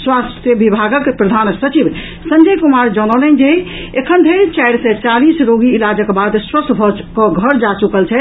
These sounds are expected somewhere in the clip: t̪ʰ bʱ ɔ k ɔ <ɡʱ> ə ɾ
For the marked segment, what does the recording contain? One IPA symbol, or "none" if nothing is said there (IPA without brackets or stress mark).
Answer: ɡʱ